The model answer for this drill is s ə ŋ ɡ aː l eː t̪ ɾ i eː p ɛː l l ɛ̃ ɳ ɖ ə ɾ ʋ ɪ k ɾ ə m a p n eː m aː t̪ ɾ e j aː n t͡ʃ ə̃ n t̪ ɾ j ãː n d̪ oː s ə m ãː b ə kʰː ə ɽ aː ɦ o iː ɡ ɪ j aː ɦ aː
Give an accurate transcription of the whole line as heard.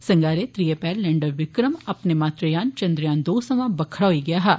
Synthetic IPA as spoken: s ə ŋ ɡ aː ɾ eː t̪ ɾ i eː p ɛː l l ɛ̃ ɳ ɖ ə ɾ ʋ ɪ k ɾ ə m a p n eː m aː t̪ ɾ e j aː n t͡ʃ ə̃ n d̪ ɾ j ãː n d̪ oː s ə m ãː b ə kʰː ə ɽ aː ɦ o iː ɡ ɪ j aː ɦ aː